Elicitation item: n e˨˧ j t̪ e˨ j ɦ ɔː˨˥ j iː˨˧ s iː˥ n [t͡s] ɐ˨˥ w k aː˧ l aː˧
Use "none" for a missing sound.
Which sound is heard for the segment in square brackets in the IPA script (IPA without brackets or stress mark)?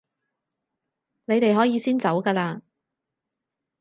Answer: t͡s